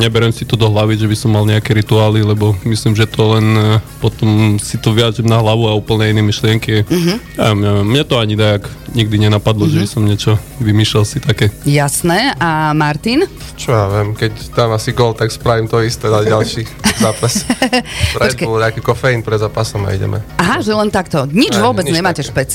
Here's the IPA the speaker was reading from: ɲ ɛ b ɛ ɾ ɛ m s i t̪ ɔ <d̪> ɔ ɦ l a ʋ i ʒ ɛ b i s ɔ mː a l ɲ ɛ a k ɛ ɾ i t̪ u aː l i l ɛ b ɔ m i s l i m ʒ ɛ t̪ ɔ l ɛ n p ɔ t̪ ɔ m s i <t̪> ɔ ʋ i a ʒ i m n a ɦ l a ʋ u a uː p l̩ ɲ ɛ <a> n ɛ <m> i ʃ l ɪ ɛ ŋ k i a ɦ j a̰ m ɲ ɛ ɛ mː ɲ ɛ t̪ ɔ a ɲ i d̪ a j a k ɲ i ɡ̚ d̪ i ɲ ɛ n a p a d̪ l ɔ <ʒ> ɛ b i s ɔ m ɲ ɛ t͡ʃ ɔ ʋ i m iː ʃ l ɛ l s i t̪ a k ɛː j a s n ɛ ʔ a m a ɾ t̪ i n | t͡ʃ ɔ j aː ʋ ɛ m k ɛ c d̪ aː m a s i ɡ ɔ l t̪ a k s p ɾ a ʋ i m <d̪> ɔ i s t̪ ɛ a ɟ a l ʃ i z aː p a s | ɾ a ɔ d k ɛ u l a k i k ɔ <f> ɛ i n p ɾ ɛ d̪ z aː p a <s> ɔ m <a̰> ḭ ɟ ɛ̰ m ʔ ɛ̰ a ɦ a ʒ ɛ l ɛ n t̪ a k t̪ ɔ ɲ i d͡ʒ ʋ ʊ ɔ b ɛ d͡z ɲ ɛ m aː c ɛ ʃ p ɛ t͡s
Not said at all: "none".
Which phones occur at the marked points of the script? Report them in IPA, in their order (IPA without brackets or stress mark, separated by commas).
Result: d̪, t̪, i, m, ʒ, t̪, f, s, a̰